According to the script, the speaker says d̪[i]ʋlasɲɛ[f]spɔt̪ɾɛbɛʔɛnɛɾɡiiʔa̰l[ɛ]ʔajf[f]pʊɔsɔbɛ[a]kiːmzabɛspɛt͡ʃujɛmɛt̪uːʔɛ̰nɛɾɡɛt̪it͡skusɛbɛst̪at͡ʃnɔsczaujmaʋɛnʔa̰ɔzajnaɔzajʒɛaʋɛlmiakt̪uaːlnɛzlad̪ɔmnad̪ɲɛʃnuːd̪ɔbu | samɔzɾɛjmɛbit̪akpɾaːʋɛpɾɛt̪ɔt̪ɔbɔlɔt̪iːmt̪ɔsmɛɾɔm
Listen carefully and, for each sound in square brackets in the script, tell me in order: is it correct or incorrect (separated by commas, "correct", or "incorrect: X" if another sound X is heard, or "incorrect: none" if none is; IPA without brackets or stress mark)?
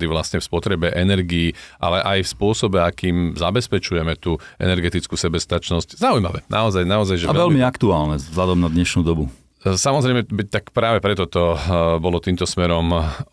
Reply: correct, correct, correct, incorrect: s, correct